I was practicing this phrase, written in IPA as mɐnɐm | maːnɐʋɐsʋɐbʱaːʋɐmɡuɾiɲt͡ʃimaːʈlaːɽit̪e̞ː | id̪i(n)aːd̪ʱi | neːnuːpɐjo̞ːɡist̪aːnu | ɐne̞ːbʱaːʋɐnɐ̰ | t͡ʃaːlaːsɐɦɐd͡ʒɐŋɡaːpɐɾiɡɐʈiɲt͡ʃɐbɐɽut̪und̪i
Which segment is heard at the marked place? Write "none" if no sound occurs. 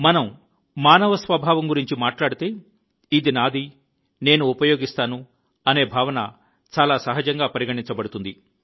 n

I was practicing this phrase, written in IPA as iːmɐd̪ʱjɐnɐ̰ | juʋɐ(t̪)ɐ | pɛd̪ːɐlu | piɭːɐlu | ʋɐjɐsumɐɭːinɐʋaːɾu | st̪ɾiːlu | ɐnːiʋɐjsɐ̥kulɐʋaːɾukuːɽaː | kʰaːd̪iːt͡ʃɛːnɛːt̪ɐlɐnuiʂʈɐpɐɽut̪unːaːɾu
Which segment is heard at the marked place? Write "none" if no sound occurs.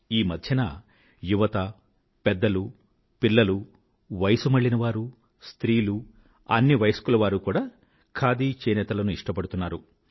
t̪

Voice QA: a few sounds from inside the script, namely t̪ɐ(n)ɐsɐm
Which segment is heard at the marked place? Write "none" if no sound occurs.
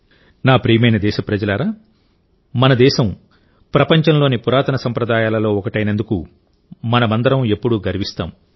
n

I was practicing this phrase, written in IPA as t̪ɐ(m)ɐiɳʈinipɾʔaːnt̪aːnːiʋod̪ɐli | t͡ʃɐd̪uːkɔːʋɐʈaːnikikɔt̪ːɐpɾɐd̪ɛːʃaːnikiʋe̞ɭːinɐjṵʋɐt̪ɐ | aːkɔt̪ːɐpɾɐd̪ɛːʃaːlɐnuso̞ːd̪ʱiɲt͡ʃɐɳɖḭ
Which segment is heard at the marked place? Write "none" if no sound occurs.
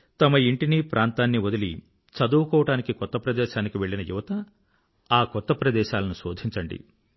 m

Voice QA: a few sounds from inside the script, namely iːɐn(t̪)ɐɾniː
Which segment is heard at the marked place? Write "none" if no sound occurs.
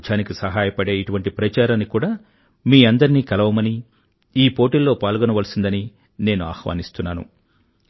d̪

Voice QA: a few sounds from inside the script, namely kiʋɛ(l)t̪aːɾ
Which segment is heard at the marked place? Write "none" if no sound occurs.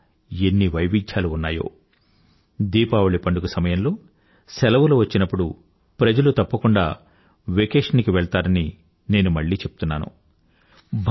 ɭ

